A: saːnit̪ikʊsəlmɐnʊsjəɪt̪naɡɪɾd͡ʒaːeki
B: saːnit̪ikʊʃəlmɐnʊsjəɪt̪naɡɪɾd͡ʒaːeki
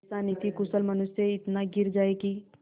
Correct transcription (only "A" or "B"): A